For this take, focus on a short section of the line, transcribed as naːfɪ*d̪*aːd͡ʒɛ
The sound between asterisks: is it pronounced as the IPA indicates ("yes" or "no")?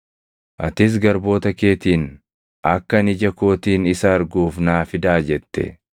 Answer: yes